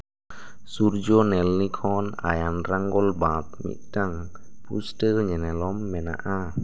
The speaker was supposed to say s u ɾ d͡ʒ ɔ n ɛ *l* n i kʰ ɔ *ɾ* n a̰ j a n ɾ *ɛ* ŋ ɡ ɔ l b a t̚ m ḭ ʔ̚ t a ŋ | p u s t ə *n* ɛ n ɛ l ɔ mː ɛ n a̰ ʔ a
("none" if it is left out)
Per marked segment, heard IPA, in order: l, none, a, ɲ

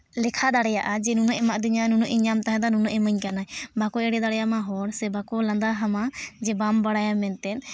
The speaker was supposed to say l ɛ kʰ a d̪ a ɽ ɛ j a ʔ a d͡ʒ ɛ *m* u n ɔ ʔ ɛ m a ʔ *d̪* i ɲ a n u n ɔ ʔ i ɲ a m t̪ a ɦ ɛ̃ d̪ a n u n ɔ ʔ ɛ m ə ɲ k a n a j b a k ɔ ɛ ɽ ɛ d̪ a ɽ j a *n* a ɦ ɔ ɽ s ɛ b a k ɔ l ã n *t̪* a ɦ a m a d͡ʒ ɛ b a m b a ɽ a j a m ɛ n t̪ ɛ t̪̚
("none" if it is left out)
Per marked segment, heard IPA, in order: n, d̪, m, d̪

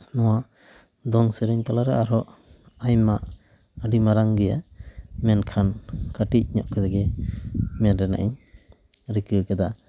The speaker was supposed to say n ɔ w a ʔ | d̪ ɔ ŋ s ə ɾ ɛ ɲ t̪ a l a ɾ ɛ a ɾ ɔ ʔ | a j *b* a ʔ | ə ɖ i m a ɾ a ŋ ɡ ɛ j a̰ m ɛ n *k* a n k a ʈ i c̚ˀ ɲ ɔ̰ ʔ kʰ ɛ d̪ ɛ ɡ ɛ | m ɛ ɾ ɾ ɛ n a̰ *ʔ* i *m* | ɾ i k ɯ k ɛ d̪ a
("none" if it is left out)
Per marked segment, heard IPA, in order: m, kʰ, ʔ, ɲ

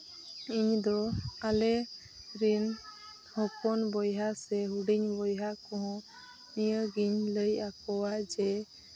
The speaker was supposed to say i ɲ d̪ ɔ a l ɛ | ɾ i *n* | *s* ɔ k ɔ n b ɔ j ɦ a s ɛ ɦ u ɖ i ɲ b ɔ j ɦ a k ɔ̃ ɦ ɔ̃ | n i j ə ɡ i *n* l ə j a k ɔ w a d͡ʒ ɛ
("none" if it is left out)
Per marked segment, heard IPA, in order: n, h, ɲ

